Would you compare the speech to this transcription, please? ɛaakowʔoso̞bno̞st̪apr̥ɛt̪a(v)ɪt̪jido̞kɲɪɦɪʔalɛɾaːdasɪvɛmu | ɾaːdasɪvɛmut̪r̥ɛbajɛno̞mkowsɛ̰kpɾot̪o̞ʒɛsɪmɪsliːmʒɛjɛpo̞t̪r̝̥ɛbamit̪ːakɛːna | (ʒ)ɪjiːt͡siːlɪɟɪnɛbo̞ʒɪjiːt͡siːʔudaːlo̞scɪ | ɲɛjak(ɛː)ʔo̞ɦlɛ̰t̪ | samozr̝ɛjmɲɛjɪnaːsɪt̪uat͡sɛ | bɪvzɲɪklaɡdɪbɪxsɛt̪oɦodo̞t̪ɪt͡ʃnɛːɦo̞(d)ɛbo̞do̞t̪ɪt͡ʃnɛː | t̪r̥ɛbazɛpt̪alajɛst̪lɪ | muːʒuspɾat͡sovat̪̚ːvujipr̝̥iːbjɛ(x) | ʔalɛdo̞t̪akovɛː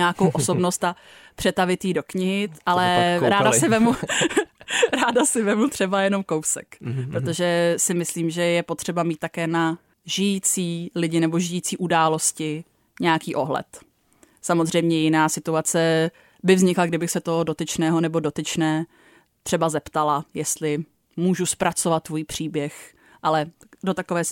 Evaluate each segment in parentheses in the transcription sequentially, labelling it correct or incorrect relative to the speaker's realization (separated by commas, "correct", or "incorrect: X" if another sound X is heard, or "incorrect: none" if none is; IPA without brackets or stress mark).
correct, correct, incorrect: iː, incorrect: n, correct